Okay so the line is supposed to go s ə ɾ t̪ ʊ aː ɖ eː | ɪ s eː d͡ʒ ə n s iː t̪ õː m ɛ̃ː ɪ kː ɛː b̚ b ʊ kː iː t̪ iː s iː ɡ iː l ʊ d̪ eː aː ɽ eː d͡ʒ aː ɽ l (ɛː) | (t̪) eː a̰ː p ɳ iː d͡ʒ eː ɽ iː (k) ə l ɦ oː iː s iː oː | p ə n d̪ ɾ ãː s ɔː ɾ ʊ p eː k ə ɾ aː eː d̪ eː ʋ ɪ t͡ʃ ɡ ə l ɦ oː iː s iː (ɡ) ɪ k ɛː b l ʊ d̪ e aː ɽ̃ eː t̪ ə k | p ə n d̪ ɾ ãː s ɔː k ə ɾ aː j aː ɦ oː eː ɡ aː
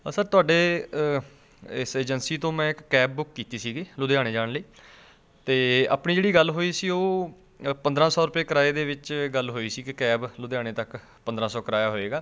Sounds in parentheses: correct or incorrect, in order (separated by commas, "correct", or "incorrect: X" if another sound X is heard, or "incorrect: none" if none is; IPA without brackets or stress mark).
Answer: incorrect: iː, correct, incorrect: ɡ, incorrect: k